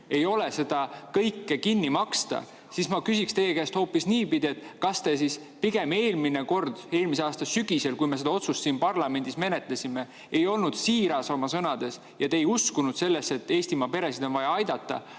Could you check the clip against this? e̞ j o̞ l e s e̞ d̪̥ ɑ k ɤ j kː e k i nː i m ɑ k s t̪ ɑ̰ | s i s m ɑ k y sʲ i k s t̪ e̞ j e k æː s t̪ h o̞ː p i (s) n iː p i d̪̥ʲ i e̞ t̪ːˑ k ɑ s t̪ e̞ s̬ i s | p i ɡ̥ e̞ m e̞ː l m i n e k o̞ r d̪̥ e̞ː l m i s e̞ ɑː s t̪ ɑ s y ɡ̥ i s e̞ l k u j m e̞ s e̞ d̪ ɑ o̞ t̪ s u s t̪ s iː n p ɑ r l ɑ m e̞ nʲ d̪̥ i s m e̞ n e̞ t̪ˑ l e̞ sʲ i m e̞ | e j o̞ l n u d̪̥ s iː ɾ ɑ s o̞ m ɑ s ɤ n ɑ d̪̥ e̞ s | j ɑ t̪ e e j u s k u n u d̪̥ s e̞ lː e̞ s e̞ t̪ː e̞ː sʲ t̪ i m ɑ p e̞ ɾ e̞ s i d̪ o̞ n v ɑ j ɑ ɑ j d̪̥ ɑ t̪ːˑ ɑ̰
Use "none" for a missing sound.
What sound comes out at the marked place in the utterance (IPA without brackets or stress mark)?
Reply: s